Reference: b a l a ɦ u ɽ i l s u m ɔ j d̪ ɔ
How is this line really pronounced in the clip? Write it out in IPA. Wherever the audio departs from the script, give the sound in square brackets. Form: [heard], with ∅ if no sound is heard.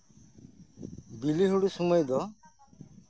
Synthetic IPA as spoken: b [i] l [i] ɦ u ɽ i [∅] s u m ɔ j d̪ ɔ